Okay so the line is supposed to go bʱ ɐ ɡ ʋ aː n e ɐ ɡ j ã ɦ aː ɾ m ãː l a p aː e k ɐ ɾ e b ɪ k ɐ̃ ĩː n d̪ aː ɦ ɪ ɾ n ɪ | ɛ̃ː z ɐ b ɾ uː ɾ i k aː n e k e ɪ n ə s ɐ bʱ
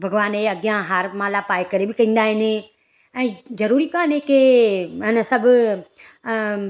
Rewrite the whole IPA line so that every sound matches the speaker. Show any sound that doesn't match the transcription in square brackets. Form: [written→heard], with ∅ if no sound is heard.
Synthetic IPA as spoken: bʱ ɐ ɡ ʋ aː n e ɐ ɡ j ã ɦ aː ɾ m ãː l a p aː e k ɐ ɾ e b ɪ k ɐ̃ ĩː n d̪ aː ɦ ɪ [ɾ→∅] n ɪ | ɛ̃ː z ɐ [b→∅] ɾ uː ɾ i k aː n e k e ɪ n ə s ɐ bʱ